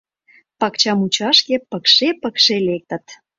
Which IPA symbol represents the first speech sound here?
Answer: p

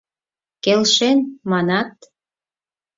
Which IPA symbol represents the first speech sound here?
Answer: k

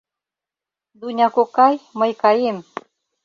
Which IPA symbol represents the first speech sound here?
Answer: d̪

